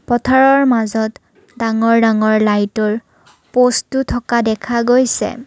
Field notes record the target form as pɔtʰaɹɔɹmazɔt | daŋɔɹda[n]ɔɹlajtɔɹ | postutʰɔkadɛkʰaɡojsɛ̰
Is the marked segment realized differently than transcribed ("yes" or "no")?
yes